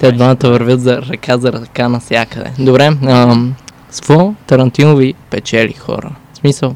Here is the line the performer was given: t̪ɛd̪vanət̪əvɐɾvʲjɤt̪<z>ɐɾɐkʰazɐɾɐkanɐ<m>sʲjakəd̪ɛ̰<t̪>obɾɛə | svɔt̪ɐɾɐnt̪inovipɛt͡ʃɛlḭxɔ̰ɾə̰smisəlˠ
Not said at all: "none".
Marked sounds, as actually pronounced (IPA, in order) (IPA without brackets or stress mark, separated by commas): z, none, d̪